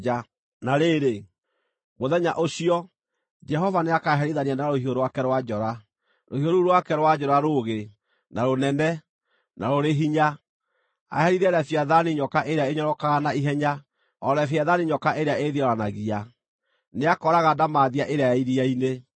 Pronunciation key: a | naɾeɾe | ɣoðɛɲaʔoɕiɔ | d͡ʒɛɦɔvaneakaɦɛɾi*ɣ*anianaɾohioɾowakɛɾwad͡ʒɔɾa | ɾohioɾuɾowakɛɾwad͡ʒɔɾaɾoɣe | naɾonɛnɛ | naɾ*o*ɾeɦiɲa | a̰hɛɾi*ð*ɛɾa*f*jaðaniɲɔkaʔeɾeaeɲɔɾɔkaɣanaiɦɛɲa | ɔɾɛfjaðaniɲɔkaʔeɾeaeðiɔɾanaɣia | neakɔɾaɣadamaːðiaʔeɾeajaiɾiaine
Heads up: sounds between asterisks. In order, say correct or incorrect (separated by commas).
incorrect, correct, correct, correct